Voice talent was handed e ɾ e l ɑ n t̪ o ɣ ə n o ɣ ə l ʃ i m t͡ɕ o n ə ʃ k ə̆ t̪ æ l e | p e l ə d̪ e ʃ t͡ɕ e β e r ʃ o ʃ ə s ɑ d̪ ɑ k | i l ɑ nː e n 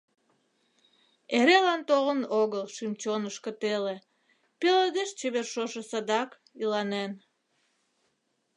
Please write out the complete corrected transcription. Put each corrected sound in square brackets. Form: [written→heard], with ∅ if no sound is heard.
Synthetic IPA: e ɾ e l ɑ n t̪ o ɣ ə n o ɣ ə l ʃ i m t͡ɕ o n ə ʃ k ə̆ t̪ [æ→e] l e | p e l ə d̪ e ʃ t͡ɕ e β e r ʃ o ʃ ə s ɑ d̪ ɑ k | i l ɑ [nː→n] e n